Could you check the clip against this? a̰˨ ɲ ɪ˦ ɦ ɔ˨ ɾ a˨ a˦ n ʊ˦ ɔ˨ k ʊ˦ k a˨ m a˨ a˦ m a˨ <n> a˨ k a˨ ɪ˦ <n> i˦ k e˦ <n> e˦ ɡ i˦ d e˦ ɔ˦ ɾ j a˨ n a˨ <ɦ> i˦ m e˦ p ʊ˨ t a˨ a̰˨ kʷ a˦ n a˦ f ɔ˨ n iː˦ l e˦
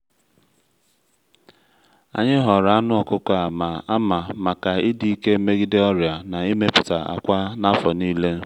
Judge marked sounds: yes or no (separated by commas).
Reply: no, no, no, no